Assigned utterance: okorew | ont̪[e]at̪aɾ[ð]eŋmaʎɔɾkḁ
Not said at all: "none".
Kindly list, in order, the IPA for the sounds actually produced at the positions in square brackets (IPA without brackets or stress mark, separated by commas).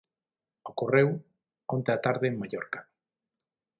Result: e, ð